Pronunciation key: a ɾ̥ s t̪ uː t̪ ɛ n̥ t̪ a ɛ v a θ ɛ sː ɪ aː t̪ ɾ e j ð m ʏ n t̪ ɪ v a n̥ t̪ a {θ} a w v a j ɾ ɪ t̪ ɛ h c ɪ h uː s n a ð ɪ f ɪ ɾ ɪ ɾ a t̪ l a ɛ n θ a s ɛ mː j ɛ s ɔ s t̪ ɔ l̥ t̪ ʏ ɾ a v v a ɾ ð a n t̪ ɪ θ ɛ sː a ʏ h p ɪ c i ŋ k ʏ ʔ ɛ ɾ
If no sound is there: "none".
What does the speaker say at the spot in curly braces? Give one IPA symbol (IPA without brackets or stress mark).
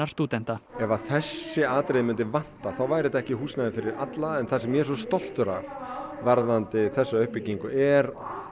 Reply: θ